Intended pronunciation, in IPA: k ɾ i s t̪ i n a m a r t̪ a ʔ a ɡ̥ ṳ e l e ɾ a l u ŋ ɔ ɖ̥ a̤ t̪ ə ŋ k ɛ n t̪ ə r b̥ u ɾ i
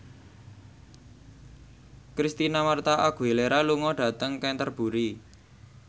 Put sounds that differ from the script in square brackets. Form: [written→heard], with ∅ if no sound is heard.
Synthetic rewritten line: k ɾ i s t̪ i n a m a r t̪ a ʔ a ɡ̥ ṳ e l e ɾ a l u ŋ ɔ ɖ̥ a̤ t̪ ə ŋ k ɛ n t̪ ə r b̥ u ɾ i

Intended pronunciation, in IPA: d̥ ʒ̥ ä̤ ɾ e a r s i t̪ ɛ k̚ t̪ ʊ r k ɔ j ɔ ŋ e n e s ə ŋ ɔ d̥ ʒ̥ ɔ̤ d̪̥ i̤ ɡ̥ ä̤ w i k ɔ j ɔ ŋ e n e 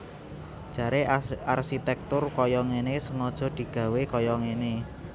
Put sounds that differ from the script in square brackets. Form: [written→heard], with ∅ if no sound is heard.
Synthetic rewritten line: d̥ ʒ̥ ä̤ ɾ e a r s i t̪ ɛ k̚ t̪ ʊ r k ɔ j ɔ ŋ e n e s ə ŋ ɔ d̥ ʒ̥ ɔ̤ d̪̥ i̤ ɡ̥ ä̤ w [i→e] k ɔ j ɔ ŋ e n e

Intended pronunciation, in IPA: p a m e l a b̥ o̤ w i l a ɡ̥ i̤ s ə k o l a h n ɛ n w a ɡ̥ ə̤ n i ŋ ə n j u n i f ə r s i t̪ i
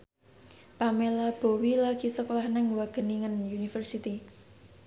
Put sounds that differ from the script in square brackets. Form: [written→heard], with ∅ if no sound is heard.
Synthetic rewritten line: p a m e l a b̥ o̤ w i l a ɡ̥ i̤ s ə k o l a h n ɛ [n→ŋ] w a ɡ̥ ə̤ n i ŋ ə n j u n i f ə r s i t̪ i

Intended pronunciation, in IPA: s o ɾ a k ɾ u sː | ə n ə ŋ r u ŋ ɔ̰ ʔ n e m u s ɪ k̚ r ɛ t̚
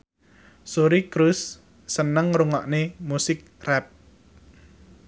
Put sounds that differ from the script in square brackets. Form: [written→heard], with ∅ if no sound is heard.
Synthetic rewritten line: s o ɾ [a→i] k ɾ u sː | ə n ə ŋ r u ŋ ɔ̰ ʔ n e m u s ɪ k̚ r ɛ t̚

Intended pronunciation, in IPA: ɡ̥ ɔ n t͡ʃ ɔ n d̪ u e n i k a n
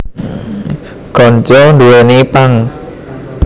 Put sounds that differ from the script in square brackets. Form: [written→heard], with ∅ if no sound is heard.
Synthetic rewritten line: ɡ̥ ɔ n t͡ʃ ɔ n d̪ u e n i [k→p] a [n→ŋ]

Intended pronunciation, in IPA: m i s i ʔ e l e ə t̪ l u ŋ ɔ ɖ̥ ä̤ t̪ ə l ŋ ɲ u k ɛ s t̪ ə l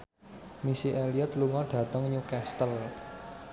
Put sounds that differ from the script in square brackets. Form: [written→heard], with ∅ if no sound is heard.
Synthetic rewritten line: m i s i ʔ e l [e→i] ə t̪ l u ŋ ɔ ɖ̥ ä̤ t̪ ə [l→∅] ŋ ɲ u k ɛ s t̪ ə l

